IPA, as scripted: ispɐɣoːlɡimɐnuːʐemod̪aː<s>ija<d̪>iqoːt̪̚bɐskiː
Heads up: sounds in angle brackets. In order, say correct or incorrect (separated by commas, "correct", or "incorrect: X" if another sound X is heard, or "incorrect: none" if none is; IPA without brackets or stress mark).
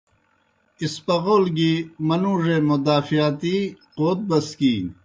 incorrect: f, incorrect: t̪